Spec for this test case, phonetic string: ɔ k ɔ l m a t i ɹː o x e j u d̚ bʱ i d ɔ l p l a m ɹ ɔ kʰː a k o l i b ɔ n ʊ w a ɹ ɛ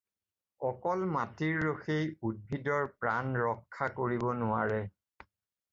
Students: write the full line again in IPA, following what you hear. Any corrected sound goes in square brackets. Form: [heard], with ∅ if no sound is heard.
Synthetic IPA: ɔ k ɔ l m a t i ɹː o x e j u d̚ bʱ i d ɔ [ɹ] p [ɹ] a [n] ɹ ɔ kʰː a k o [ɹ] i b ɔ n ʊ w a ɹ ɛ